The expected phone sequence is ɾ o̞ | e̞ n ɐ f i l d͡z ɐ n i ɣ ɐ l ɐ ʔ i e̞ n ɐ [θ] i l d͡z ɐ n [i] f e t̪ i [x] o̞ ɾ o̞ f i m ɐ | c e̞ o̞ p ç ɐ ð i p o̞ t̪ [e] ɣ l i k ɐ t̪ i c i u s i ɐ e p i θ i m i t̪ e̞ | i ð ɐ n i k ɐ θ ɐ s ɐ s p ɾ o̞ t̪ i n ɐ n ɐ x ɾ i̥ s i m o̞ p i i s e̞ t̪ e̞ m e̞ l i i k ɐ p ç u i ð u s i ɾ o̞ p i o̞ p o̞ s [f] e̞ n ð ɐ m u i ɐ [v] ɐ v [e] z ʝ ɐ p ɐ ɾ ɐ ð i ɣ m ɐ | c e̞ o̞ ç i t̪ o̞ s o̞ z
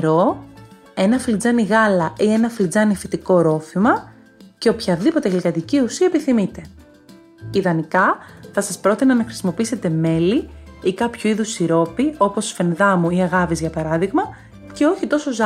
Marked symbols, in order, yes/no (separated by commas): no, yes, no, yes, yes, no, no